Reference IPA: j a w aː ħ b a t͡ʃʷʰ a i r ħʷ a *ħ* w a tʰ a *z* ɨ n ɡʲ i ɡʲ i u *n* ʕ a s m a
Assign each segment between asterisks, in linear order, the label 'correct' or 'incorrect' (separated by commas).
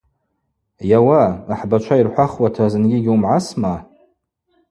incorrect, correct, incorrect